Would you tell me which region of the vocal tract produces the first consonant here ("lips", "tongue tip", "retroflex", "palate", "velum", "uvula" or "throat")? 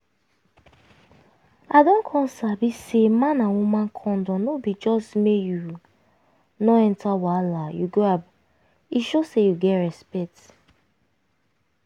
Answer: tongue tip